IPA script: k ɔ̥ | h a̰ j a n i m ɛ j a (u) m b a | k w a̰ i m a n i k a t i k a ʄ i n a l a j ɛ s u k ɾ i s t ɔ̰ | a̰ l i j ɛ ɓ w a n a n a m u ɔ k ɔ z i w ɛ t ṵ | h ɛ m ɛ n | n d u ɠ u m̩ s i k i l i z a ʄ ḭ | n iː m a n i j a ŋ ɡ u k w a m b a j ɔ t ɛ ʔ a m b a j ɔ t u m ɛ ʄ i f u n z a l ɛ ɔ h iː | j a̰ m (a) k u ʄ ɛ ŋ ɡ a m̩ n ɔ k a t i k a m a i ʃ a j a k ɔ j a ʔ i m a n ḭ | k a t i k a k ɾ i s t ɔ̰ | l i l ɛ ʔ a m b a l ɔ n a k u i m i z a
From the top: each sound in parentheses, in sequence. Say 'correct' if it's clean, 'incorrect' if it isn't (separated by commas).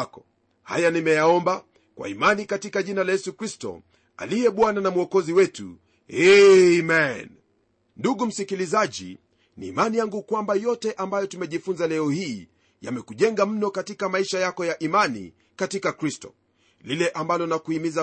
incorrect, incorrect